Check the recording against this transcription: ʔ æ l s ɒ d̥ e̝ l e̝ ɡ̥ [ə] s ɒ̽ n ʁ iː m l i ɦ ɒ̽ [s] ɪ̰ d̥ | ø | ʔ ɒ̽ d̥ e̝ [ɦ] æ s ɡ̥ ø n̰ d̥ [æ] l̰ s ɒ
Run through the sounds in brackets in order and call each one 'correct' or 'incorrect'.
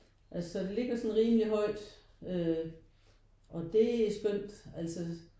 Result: incorrect: ɐ, incorrect: none, incorrect: none, correct

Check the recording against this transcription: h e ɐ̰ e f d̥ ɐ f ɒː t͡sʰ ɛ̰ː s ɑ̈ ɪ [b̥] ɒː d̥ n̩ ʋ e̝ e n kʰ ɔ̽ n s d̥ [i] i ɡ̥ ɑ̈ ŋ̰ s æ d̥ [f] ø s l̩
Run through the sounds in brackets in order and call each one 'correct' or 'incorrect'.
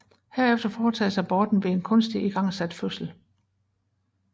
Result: correct, correct, correct

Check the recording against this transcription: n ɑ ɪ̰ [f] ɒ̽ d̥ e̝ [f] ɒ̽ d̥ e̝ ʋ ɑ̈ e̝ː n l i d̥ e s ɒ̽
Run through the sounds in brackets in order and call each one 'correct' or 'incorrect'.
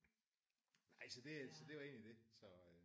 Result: incorrect: s, incorrect: s

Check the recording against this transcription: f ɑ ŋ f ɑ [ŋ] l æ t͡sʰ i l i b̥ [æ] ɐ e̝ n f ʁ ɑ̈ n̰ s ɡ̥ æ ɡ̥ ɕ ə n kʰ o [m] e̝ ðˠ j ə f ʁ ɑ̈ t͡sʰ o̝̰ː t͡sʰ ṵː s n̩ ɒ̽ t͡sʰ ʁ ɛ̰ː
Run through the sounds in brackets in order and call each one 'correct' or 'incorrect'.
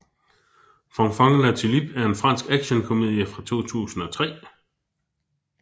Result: correct, correct, correct

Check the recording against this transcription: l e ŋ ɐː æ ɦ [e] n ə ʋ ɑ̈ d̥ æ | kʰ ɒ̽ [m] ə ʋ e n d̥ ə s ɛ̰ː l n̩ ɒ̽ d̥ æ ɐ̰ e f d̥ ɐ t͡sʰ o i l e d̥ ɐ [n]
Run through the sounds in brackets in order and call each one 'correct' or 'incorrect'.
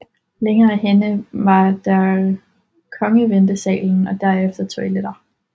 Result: correct, incorrect: ŋ, incorrect: none

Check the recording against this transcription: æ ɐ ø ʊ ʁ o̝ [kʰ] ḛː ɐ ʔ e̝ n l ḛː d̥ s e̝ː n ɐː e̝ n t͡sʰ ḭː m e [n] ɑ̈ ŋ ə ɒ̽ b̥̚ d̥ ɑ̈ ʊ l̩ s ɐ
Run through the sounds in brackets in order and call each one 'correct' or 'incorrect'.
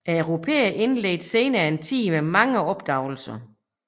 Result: incorrect: pʰ, incorrect: m

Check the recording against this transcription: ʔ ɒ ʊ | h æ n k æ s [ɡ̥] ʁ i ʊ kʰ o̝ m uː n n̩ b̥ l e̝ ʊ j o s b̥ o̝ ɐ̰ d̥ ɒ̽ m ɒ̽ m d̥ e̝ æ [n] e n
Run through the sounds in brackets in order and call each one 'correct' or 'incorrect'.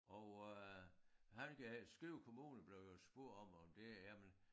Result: correct, incorrect: m

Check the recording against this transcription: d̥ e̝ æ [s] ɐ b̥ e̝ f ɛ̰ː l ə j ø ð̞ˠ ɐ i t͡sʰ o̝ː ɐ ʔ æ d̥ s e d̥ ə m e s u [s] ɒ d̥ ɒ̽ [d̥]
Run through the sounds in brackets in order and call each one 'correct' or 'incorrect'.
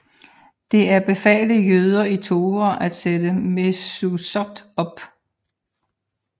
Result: incorrect: none, correct, incorrect: b̥

